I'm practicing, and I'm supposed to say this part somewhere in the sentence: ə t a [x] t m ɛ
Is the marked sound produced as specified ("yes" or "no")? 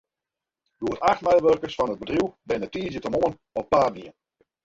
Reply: yes